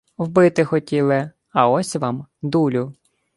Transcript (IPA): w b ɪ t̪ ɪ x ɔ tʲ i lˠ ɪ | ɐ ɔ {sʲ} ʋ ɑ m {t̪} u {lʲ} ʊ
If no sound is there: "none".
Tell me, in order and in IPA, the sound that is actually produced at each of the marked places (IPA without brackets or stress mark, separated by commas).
sʲ, d̪, lʲ